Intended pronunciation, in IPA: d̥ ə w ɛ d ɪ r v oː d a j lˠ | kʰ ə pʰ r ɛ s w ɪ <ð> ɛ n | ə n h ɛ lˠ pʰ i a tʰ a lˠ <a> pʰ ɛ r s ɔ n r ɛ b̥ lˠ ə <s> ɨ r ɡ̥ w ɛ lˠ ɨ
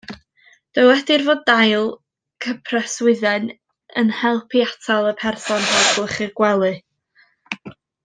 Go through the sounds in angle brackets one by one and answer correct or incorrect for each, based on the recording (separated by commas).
correct, incorrect, incorrect